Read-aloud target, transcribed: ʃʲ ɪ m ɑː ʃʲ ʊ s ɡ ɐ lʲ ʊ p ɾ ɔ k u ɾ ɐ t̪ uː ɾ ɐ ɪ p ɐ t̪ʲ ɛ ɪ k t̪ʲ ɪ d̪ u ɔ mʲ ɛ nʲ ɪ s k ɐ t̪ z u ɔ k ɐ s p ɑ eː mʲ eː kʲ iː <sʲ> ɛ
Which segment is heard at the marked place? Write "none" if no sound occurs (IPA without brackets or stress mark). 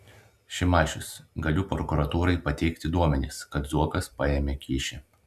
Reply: ʃʲ